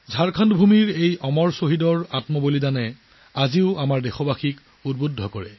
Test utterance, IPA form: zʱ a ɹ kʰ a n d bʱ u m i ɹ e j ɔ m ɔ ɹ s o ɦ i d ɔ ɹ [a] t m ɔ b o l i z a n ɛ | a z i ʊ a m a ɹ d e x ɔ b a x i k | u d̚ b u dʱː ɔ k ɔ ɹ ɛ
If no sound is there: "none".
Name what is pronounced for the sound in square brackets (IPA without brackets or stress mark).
a